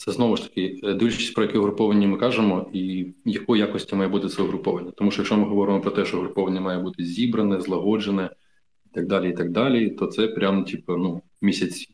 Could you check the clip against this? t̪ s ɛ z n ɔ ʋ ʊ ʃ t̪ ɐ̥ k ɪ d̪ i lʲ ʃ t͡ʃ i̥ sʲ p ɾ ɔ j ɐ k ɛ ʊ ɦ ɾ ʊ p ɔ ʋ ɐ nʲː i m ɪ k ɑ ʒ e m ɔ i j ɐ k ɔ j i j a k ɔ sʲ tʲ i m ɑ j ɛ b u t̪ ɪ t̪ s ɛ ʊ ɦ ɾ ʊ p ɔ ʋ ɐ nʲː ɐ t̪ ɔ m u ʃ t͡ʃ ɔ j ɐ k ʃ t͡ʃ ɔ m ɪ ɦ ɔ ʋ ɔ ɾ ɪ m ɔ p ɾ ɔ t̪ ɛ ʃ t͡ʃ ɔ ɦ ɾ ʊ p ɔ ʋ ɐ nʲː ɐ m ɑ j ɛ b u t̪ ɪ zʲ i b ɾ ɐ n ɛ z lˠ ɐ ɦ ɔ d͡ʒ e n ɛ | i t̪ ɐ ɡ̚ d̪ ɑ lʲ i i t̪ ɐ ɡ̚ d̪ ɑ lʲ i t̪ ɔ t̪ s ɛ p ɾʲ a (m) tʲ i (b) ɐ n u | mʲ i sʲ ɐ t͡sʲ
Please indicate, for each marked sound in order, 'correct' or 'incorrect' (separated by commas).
correct, incorrect